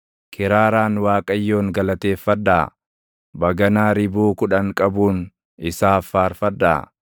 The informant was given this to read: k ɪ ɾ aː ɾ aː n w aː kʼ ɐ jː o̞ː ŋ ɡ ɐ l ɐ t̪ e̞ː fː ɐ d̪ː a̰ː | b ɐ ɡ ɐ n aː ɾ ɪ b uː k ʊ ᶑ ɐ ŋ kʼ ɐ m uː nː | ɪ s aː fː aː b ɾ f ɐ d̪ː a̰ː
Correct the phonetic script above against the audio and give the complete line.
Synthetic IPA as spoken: k ɪ ɾ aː ɾ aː n w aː kʼ ɐ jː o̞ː ŋ ɡ ɐ l ɐ t̪ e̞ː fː ɐ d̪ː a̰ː | b ɐ ɡ ɐ n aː ɾ ɪ b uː k ʊ ᶑ ɐ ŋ kʼ ɐ b uː n | ɪ s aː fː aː ɾ f ɐ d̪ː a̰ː